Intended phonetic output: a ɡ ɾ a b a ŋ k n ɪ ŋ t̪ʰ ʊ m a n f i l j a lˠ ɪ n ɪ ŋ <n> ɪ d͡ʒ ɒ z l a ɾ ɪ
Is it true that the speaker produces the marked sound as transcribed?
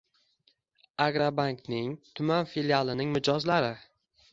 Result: no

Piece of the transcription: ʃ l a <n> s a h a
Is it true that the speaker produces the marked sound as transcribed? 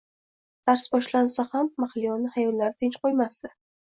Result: yes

